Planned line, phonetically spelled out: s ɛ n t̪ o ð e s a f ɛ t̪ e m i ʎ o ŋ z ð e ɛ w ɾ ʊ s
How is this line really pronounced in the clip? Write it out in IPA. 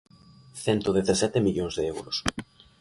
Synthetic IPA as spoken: θ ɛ n t̪ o ð e θ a s ɛ t̪ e m i ʎ o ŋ z ð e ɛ w ɾ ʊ s

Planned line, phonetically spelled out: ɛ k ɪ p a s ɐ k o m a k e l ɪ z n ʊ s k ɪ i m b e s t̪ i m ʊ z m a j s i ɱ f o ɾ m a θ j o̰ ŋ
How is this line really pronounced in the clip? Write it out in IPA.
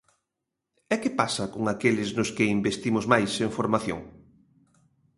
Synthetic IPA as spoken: ɛ k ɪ p a s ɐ k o ŋ a k e l ɪ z n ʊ s k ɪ i m b e s t̪ i m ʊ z m a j s e ɱ f o ɾ m a θ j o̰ ŋ

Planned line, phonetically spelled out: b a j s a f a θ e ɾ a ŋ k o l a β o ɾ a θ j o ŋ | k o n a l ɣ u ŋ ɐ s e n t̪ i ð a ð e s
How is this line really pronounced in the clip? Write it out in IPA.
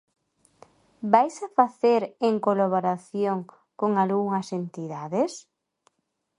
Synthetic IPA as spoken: b a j s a f a θ e ɾ e ŋ k o l a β o ɾ a θ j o ŋ | k o ŋ a l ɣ u ŋ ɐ s e n t̪ i ð a ð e s

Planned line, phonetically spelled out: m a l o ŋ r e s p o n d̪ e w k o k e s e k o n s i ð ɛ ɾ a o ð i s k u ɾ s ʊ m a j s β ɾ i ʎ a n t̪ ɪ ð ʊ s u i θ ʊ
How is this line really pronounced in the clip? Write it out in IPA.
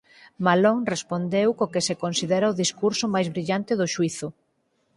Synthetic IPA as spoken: m a l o ŋ r e s p o n d̪ e w k o k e s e k o n s i ð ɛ ɾ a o ð i s k u ɾ s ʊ m a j z β ɾ i ʎ a n t̪ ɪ ð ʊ ʃ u i θ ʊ

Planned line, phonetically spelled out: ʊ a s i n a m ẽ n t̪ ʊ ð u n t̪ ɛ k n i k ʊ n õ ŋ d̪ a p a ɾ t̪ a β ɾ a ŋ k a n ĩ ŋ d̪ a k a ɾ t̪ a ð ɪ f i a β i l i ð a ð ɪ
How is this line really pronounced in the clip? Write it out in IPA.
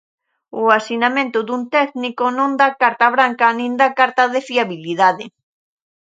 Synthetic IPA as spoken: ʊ a s i n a m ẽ n t̪ ʊ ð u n t̪ ɛ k n i k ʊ n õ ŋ d̪ a k a ɾ t̪ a β ɾ a ŋ k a n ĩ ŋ d̪ a k a ɾ t̪ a ð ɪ f i a β i l i ð a ð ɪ

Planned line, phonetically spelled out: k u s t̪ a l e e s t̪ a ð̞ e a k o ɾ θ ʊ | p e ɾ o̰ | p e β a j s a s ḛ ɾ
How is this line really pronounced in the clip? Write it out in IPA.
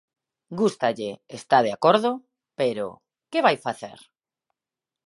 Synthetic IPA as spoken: ɡ u s t̪ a ʎ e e s t̪ a ð̞ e a k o ɾ ð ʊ | p e ɾ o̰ | k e β a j f a θ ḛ ɾ

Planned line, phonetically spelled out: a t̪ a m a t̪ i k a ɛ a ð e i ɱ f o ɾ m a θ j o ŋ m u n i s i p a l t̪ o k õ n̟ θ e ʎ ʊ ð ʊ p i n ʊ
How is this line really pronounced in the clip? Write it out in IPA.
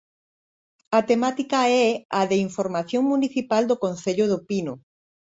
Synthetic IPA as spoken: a t̪ e m a t̪ i k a ɛ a ð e i ɱ f o ɾ m a θ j o ŋ m u n i θ i p a l d̪ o k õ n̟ θ e ʎ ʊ ð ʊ p i n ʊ

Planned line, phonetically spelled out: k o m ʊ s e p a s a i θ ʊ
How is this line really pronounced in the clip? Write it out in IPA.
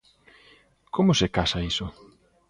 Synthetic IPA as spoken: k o m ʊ s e k a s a i s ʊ

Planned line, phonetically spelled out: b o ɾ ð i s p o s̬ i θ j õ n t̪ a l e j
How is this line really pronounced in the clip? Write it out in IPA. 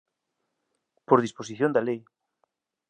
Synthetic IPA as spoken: p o ɾ ð i s p o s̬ i θ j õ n d̪ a l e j

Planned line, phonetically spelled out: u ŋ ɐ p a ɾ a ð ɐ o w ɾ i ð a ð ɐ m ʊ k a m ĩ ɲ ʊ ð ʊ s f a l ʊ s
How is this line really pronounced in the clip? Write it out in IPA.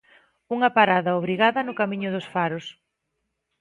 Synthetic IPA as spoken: u ŋ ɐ p a ɾ a ð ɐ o β ɾ i ɣ a ð ɐ n ʊ k a m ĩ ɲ ʊ ð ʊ s f a ɾ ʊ s

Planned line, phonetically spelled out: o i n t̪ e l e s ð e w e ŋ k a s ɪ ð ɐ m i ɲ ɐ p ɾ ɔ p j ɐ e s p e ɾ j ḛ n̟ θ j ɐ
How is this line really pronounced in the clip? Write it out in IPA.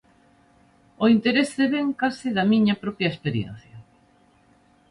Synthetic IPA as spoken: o i n t̪ e ɾ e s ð e β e ŋ k a s ɪ ð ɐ m i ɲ ɐ p ɾ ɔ p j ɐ e s p e ɾ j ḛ n̟ θ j ɐ

